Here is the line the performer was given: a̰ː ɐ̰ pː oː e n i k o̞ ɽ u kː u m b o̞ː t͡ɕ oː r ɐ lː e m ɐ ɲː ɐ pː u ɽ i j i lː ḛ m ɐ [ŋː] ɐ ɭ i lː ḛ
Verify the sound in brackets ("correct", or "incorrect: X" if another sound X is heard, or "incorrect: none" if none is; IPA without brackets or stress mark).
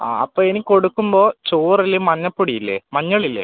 incorrect: ɲː